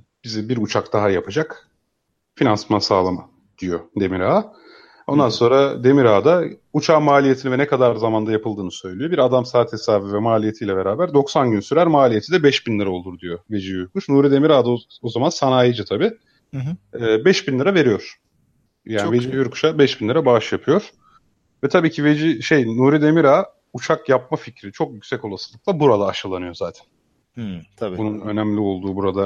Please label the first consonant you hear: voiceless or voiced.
voiced